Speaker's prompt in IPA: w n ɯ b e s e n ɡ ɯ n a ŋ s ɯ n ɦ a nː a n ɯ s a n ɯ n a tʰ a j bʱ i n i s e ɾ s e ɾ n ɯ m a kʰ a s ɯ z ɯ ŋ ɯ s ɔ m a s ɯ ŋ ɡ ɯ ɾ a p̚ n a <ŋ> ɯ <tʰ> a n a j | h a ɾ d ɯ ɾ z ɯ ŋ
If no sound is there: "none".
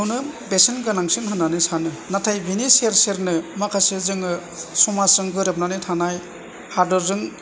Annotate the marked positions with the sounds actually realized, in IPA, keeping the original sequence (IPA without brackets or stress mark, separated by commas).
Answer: n, tʰ